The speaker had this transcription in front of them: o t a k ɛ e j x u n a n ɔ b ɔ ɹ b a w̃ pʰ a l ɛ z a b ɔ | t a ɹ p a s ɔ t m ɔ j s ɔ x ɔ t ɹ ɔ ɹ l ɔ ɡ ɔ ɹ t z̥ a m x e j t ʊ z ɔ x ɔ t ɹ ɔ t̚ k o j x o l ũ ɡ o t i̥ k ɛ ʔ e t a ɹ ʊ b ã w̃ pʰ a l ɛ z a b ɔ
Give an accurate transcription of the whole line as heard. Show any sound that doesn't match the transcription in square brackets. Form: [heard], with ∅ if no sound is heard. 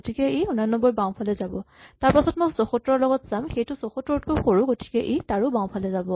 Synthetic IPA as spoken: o t [i] k ɛ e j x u n a n ɔ b ɔ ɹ b a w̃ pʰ a l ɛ z a b ɔ | t a ɹ p a s ɔ t m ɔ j s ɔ x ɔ t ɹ ɔ ɹ l ɔ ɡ ɔ [∅] t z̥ a m x e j t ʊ [s] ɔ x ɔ t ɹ ɔ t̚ k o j x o [ɹ] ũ ɡ o t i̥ k ɛ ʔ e t a ɹ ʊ b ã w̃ pʰ a l ɛ z a b ɔ